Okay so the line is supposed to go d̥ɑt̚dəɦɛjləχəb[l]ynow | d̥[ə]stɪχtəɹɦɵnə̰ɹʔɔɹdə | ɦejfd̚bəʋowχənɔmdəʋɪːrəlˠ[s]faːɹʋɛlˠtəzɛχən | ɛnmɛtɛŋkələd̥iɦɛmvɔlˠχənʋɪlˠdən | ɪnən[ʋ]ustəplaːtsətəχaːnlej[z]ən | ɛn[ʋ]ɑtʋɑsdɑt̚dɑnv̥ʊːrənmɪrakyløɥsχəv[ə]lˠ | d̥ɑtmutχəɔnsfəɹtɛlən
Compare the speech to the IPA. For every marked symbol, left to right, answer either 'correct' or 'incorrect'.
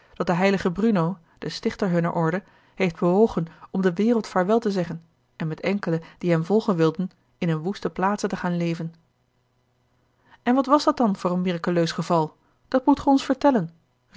incorrect, correct, incorrect, correct, incorrect, correct, incorrect

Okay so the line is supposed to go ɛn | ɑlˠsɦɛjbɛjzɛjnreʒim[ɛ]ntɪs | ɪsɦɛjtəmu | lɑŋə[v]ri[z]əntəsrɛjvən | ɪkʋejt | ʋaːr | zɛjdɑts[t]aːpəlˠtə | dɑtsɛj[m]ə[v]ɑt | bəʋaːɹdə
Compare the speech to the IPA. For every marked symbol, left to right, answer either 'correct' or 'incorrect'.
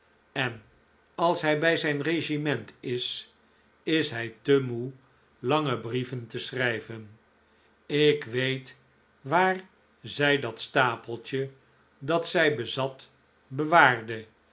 correct, incorrect, incorrect, correct, incorrect, incorrect

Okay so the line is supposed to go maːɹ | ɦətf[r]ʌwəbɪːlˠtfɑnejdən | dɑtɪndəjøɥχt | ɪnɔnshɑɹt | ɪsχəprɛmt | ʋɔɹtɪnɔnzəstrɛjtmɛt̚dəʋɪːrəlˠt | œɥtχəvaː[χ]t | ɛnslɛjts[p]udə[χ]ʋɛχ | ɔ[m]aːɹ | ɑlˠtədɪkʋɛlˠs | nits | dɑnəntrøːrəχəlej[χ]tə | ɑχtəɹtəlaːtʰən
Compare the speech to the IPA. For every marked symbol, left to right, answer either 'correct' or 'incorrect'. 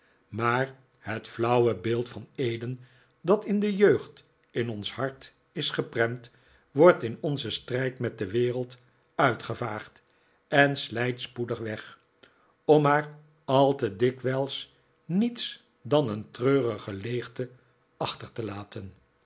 incorrect, correct, correct, correct, correct, correct

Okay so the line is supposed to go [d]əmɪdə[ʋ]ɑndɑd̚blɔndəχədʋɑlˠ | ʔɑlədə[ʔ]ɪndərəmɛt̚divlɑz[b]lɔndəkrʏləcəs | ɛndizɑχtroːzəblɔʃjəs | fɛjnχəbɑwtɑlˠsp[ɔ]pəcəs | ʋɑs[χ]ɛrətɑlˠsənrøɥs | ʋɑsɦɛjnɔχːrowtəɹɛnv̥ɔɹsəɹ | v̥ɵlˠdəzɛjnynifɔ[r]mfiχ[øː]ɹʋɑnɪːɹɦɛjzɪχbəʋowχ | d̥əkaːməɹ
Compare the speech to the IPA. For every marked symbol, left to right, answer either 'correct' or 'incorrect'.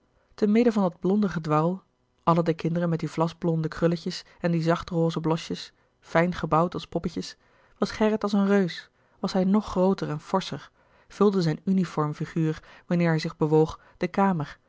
incorrect, incorrect, incorrect, correct, correct, correct, incorrect, incorrect

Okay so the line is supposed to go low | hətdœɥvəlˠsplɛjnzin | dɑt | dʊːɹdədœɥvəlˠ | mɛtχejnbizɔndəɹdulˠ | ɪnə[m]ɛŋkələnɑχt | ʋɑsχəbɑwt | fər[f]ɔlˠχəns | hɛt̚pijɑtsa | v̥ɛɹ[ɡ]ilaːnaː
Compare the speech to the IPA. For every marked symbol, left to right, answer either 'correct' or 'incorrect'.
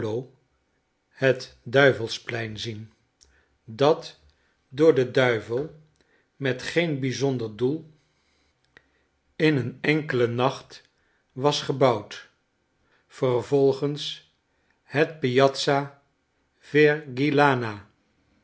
incorrect, incorrect, correct

